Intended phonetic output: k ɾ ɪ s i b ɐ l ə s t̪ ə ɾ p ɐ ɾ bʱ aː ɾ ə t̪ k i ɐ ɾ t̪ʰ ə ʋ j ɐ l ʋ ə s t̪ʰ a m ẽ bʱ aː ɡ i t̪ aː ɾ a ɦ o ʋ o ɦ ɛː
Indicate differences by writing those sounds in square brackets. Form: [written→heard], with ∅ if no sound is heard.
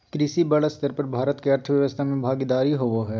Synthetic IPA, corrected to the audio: k ɾ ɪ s i b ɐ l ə s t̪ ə ɾ p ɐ ɾ bʱ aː ɾ ə t̪ k [i→e] ɐ ɾ t̪ʰ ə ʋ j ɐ [l→∅] ʋ ə s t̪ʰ a m ẽ bʱ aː ɡ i [t̪→d̪] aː ɾ [a→i] ɦ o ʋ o ɦ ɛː